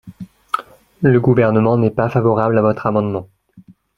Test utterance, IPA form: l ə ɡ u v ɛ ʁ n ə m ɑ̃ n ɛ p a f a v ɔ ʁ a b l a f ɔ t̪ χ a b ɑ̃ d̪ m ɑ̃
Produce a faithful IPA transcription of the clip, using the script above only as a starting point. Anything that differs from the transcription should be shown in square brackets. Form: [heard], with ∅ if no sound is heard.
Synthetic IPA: l ə ɡ u v ɛ ʁ n ə m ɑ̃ n ɛ p a f a v ɔ ʁ a b l a [v] ɔ t̪ χ a [m] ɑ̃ d̪ m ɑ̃